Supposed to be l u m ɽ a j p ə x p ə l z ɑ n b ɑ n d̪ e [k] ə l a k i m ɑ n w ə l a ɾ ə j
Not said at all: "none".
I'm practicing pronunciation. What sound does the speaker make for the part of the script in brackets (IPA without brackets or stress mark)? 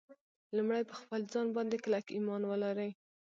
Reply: k